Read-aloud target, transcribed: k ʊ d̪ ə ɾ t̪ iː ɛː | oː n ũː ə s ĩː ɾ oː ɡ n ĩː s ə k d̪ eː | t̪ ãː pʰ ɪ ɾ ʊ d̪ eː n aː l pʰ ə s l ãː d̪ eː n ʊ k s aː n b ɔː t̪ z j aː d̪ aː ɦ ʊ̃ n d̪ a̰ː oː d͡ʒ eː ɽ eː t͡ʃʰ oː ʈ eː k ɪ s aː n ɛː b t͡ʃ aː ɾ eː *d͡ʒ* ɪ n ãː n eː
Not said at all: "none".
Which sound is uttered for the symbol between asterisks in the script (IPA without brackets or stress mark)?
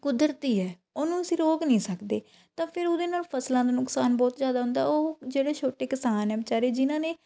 d͡ʒ